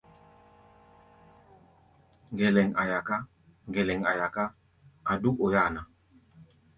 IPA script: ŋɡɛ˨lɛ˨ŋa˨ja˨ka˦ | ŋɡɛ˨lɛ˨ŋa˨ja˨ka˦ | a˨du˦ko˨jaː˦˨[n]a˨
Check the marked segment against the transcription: correct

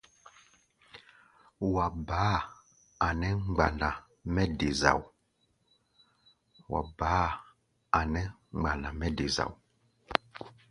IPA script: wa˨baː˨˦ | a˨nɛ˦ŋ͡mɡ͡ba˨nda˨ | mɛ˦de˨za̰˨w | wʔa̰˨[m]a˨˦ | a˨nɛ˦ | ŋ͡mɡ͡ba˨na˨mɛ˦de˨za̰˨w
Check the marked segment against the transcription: incorrect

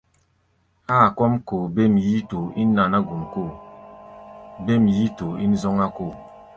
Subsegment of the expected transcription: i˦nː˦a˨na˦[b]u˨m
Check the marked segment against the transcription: incorrect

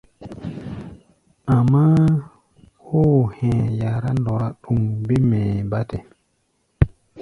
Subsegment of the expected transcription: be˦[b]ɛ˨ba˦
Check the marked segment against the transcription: incorrect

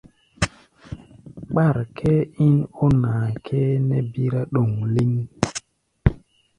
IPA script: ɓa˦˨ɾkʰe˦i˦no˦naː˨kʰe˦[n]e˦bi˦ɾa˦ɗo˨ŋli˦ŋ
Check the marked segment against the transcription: correct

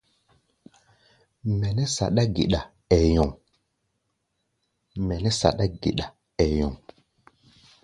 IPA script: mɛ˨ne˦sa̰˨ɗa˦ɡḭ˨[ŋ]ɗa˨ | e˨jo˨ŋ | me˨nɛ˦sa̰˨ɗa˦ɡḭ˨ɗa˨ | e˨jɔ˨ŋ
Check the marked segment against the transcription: incorrect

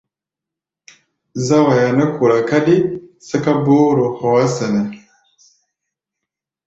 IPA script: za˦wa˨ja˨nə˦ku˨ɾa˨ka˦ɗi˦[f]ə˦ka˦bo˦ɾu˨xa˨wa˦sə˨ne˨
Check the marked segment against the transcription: incorrect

